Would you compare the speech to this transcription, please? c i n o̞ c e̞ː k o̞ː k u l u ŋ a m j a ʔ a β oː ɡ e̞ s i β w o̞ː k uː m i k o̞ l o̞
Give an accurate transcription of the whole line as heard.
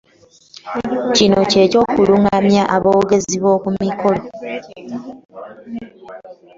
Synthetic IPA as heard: c i n o̞ c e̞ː c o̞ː k u l u ŋ a m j a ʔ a β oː ɡ e̞ z i β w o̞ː k u m i k o̞ l o̞